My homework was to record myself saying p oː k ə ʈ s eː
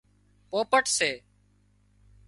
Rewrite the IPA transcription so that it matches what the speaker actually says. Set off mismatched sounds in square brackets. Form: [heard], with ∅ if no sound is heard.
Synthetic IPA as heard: p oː [p] ə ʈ s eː

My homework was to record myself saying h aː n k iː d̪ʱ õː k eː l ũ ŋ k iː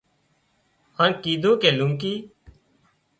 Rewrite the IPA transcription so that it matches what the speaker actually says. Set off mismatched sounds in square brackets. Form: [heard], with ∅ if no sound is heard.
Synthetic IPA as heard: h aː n k iː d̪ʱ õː k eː l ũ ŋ k iː

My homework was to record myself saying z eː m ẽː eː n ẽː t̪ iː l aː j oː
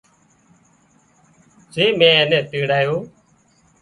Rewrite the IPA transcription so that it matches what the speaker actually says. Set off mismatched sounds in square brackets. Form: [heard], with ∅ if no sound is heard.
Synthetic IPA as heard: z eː m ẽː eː n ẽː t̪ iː [ɽ] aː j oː

